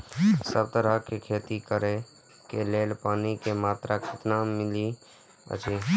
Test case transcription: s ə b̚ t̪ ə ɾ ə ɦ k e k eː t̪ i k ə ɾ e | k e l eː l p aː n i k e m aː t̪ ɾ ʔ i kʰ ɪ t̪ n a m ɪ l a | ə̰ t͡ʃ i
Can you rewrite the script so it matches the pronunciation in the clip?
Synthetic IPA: s ə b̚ t̪ ə ɾ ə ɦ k e kʰ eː t̪ i k ə ɾ e | k e l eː l p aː n i k e m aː t̪ ɾ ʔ a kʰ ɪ t̪ n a m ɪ l i | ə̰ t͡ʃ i